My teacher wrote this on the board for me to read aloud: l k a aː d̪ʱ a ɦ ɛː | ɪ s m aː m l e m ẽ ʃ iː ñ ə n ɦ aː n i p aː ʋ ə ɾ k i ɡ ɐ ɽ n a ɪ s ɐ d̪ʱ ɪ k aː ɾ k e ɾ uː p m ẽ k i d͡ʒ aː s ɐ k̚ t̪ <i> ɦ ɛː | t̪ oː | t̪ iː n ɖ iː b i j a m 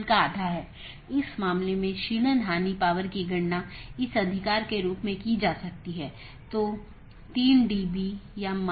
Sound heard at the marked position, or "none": i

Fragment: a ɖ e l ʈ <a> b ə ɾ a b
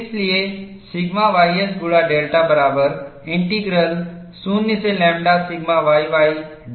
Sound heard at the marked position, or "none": a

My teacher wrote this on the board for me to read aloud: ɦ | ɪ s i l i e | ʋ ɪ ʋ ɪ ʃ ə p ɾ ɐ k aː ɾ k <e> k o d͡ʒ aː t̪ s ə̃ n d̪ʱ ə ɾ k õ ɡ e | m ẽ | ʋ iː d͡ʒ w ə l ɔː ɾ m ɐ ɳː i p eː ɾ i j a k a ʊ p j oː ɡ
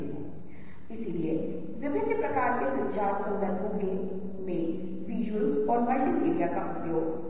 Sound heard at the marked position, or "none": e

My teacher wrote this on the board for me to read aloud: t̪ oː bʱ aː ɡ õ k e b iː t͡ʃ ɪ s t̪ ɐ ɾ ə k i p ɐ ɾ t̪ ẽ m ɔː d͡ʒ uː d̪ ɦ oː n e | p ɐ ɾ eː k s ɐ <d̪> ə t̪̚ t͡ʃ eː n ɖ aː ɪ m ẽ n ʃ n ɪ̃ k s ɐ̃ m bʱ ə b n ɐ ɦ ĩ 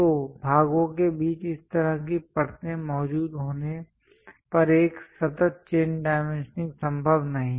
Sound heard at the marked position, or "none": t̪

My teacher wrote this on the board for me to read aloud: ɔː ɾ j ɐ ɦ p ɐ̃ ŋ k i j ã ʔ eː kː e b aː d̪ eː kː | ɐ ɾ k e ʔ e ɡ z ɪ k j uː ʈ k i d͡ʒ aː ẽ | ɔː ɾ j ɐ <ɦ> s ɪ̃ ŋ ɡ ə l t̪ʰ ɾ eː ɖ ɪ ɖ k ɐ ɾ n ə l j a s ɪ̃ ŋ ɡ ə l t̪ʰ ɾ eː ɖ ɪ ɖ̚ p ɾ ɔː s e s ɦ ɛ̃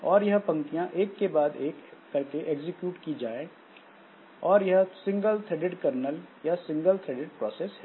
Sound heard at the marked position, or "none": ɦ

